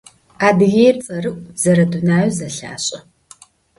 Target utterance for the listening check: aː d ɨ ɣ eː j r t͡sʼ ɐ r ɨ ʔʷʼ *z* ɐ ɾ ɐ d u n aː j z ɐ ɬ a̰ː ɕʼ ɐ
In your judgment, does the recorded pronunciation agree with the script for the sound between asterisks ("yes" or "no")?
yes